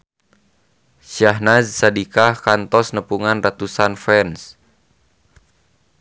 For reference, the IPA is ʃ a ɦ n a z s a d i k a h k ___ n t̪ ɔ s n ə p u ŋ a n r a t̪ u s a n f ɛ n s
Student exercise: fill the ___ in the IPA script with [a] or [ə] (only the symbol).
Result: a